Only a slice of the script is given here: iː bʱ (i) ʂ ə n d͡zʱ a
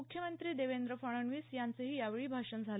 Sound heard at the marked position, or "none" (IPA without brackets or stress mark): a